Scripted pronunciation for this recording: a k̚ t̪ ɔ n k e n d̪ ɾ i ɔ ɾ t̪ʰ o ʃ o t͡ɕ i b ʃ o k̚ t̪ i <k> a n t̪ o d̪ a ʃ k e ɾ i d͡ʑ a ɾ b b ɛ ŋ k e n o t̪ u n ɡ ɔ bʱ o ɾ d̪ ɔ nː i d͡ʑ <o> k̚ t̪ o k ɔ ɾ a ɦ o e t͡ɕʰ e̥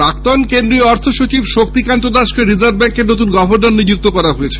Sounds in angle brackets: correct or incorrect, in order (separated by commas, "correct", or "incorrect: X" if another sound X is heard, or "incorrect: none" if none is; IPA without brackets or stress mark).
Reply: correct, incorrect: u